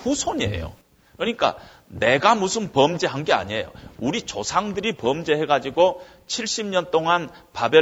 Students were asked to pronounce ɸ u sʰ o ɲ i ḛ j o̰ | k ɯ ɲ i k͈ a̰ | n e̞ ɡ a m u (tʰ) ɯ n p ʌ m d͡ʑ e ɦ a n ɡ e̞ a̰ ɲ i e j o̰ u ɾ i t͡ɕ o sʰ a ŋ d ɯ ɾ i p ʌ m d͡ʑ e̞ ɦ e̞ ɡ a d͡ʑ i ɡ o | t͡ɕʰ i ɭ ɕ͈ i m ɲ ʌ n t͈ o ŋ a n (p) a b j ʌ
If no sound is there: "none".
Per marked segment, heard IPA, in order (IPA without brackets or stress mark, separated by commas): sʰ, p